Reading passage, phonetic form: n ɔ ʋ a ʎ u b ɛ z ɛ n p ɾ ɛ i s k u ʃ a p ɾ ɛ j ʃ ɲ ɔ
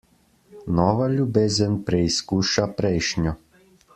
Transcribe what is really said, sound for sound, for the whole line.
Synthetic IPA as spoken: n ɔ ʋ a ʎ u b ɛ z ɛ n p ɾ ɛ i s k u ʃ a p ɾ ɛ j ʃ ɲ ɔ

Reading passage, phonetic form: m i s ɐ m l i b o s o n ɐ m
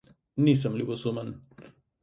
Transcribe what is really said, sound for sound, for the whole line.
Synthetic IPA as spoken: n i s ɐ m l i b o s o m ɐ n

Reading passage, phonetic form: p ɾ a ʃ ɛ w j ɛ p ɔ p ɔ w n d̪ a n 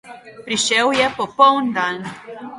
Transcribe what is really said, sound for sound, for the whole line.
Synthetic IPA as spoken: p ɾ i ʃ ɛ w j ɛ p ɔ p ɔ w n d̪ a n

